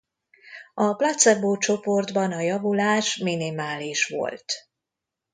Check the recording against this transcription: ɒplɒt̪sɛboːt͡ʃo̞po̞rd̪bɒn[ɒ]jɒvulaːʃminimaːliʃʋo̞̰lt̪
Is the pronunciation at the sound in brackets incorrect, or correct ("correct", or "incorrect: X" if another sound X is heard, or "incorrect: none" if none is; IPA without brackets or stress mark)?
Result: correct